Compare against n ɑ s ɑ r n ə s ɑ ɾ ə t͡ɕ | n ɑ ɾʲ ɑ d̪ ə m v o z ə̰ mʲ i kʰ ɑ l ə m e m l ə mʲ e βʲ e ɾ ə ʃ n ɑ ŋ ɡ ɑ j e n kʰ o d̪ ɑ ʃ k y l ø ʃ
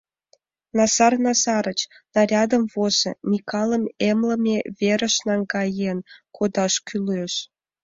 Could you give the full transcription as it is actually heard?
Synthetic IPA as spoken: n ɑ s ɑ r n ɑ s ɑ ɾ ə t͡ɕ | n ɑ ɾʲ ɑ d̪ ə m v o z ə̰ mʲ i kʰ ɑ l ə m e m l ə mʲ e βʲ e ɾ ə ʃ n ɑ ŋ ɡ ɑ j e n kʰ o d̪ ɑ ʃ k y l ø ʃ